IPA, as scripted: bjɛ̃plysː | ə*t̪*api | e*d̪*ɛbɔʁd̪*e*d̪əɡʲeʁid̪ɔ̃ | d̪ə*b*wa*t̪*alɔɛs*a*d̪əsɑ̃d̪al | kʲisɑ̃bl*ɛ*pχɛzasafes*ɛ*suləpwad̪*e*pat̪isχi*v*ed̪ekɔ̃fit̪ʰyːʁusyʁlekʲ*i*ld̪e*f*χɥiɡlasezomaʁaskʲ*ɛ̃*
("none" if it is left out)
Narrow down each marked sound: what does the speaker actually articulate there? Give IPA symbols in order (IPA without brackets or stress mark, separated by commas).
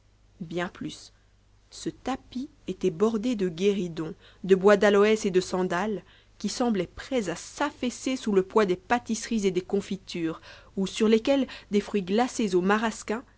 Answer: t̪, t̪, e, b, d̪, e, ɛ, e, e, z, ɛ, f, ɛ̃